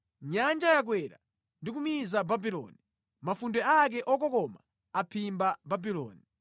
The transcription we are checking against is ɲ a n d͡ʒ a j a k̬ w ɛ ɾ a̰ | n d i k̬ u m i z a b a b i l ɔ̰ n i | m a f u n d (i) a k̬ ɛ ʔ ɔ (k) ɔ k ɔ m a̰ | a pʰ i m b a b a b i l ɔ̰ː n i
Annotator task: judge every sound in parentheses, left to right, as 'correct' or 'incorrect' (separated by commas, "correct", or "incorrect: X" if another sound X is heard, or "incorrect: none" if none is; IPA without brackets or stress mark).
incorrect: ɛ, correct